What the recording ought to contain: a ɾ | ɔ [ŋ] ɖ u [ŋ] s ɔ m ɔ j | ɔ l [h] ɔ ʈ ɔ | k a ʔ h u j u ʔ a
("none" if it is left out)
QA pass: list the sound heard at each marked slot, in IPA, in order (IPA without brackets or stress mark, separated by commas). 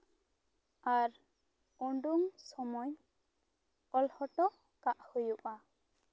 ɳ, ŋ, h